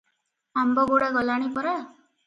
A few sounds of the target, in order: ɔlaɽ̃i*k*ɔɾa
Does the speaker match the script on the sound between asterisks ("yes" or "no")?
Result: no